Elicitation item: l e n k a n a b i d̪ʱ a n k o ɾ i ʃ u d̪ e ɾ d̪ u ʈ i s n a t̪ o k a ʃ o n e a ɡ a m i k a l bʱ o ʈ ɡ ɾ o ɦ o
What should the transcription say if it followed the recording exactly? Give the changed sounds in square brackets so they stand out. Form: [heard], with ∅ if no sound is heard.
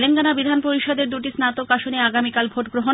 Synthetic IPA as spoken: l e n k a n a b i d̪ʱ a n [p] o ɾ i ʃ [ɔ] d̪ e ɾ d̪ u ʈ i s n a t̪ o k a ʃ o n e a ɡ a m i k a l bʱ o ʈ ɡ ɾ o ɦ o